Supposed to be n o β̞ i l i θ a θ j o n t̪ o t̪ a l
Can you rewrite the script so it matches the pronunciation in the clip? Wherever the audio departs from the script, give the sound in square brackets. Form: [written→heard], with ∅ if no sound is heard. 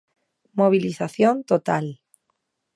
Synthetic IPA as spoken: [n→m] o β̞ i l i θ a θ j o n t̪ o t̪ a l